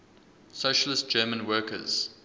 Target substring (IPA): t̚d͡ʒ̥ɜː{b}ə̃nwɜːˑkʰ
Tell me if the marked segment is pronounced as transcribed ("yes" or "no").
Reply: no